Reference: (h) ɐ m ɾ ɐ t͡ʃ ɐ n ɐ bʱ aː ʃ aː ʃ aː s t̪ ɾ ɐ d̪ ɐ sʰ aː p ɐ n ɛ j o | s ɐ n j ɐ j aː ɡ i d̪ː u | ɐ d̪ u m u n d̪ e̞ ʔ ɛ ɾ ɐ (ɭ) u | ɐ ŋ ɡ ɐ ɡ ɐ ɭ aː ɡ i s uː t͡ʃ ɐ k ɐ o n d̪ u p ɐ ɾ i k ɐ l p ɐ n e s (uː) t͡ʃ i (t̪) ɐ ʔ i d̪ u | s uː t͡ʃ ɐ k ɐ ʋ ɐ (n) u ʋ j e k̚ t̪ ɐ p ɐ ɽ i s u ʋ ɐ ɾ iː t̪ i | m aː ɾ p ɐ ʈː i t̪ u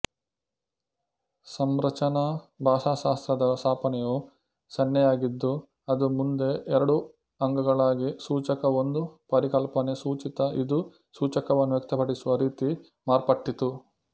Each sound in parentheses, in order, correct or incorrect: incorrect, incorrect, correct, correct, incorrect

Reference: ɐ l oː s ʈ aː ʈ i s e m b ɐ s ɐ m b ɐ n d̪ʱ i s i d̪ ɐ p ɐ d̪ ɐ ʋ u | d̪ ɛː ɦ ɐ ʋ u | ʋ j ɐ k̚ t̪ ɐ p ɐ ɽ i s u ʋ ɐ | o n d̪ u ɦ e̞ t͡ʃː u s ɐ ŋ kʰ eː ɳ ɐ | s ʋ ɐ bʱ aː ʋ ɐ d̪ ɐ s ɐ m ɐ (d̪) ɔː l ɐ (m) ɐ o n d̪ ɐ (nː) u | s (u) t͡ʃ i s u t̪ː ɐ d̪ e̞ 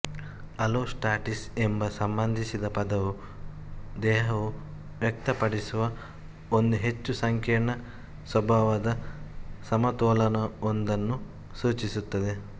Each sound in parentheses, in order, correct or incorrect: incorrect, incorrect, correct, incorrect

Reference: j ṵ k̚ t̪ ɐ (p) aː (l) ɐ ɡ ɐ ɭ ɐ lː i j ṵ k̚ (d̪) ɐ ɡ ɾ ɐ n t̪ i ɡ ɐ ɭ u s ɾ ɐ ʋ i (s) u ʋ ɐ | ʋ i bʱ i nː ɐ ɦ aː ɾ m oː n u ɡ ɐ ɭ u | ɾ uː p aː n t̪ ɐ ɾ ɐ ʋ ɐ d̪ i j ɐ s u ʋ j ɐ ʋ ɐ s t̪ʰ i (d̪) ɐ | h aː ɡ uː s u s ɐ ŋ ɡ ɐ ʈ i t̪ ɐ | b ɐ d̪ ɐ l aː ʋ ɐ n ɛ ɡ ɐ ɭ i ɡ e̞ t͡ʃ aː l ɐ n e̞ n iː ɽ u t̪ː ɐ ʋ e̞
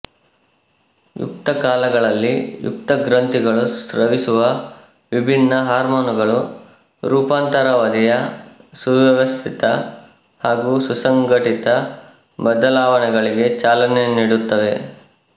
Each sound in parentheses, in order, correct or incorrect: incorrect, correct, incorrect, correct, incorrect

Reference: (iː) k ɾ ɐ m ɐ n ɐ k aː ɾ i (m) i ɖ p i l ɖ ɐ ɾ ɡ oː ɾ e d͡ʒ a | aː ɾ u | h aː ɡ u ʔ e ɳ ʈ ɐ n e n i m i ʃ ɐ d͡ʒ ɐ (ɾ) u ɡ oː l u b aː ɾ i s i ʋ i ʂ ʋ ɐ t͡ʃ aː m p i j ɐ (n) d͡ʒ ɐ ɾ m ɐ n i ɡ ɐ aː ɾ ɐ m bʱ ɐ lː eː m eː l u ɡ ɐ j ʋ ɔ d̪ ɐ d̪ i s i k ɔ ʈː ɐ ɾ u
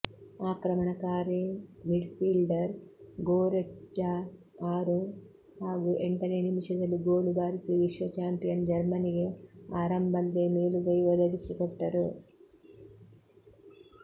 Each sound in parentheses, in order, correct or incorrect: incorrect, correct, incorrect, correct

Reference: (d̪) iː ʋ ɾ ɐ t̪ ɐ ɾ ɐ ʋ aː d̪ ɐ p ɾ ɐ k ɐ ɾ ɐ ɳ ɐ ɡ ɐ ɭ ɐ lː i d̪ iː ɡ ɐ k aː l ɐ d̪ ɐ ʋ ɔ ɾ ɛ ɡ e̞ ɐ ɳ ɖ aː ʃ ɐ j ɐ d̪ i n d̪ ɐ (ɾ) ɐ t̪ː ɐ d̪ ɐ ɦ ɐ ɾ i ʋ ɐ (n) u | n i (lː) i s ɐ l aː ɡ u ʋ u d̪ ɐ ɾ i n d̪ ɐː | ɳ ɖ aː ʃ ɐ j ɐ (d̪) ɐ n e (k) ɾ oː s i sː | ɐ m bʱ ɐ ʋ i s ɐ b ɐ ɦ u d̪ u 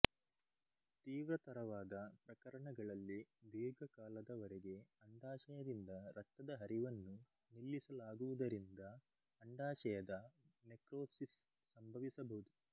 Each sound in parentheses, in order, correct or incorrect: incorrect, correct, incorrect, correct, correct, correct

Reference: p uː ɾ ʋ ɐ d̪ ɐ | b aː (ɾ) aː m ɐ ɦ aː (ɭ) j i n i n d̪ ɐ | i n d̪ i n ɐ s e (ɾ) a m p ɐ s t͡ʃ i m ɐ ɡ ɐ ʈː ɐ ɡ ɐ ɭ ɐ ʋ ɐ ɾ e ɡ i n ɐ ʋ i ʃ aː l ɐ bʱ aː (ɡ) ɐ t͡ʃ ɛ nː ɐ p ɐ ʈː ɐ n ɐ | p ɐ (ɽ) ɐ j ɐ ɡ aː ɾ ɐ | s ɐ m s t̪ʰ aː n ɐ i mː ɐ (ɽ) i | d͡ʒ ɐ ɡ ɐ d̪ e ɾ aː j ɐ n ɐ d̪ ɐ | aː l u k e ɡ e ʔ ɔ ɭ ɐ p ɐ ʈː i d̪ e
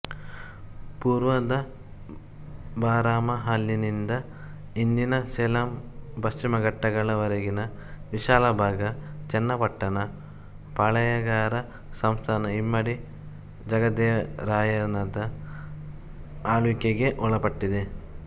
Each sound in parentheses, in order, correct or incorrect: correct, incorrect, incorrect, correct, incorrect, correct

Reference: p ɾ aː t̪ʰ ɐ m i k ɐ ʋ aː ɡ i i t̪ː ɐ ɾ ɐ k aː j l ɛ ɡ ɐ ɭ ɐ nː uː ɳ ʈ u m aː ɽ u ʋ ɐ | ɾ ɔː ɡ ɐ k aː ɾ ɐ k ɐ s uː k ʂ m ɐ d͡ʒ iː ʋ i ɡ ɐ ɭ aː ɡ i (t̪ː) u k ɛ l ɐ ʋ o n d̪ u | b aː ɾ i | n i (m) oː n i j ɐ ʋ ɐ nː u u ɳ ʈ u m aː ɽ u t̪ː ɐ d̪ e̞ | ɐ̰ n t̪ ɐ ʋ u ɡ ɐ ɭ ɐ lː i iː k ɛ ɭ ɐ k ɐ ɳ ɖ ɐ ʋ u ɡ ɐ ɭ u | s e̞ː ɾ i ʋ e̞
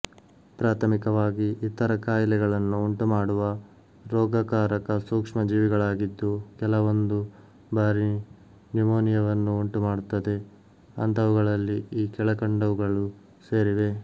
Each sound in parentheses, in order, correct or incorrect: incorrect, correct

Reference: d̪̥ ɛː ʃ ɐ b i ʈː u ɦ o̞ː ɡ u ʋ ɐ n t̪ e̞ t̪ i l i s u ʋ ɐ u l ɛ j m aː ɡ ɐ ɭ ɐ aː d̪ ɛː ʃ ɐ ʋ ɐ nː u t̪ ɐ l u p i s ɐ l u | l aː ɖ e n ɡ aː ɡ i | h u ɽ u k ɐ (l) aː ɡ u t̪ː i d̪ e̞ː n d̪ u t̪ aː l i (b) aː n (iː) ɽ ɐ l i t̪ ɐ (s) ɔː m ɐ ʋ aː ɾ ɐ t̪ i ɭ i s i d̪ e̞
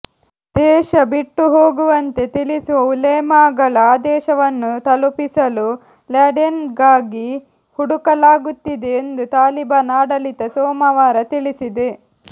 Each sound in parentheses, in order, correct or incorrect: correct, correct, incorrect, correct

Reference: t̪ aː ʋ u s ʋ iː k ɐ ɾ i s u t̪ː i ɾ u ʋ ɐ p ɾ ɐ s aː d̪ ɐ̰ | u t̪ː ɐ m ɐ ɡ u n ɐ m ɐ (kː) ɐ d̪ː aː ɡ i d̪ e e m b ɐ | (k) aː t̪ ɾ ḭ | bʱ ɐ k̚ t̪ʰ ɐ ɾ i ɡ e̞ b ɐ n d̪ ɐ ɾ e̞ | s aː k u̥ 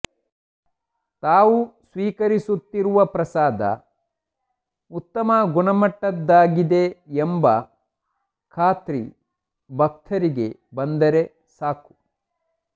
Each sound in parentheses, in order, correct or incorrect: incorrect, incorrect

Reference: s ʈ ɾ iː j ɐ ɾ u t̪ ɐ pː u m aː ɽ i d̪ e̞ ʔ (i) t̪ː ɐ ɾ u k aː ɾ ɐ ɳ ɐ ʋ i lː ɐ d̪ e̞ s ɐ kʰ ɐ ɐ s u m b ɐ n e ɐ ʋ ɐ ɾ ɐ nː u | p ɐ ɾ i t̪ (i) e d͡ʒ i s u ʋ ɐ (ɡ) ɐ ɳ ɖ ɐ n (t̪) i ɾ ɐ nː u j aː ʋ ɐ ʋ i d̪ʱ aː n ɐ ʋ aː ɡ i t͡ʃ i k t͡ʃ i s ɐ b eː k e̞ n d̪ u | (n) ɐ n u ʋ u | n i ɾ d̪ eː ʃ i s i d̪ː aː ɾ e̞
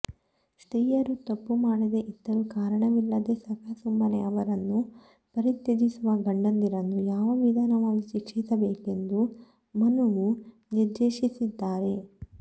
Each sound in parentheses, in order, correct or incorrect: correct, incorrect, correct, incorrect, incorrect

